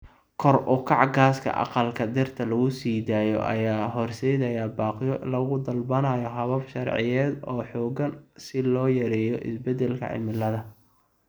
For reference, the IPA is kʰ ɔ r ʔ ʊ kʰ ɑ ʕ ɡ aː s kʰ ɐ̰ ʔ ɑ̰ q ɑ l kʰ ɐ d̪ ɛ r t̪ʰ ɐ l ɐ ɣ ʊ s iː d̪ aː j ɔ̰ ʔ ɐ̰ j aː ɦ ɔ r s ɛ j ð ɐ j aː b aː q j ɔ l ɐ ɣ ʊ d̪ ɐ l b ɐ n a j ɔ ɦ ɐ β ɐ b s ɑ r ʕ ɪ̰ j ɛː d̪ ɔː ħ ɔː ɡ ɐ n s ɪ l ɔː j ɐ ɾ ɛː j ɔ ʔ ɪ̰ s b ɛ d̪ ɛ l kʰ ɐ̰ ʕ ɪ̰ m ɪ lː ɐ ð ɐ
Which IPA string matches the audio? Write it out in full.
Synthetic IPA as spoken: kʰ ɔ r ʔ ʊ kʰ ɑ ʕ ɡ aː s kʰ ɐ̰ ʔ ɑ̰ q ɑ l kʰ ɐ d̪ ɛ r t̪ʰ ɐ l ɐ ɣ ʊ s iː d̪ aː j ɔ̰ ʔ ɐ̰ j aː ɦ ɔ r s ɛ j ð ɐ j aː b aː q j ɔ l ɐ ɣ ʊ d̪ ɐ l b ɐ n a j ɔ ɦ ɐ β ɐ b ʃ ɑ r ʕ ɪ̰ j ɛː d̪ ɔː ħ ɔː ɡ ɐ n s ɪ l ɔː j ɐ ɾ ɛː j ɔ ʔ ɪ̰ s b ɛ d̪ ɛ l kʰ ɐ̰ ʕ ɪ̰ m ɪ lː ɐ ð ɐ